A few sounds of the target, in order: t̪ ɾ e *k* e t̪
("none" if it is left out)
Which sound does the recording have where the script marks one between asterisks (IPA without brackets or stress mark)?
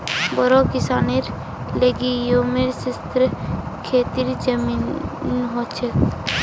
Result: kʰ